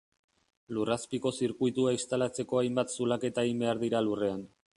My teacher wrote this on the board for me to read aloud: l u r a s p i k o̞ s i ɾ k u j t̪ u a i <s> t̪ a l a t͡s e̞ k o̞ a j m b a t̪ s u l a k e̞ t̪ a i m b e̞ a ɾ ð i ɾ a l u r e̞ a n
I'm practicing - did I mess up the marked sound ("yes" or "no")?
no